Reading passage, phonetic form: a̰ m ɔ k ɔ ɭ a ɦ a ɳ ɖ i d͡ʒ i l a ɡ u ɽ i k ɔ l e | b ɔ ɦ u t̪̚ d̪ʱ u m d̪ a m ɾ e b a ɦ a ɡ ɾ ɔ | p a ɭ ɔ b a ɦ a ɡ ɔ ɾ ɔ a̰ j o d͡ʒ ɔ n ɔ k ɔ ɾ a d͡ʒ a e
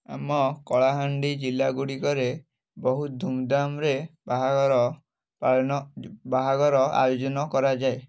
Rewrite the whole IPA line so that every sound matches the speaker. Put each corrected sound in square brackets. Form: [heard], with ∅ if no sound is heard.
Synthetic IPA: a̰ m ɔ k ɔ ɭ a ɦ a ɳ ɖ i d͡ʒ i l a ɡ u ɽ i k ɔ [ɾ] e | b ɔ ɦ u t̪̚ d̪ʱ u m d̪ a m ɾ e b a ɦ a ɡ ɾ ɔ | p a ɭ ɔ b a ɦ a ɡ ɔ ɾ ɔ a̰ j o d͡ʒ ɔ n ɔ k ɔ ɾ a d͡ʒ a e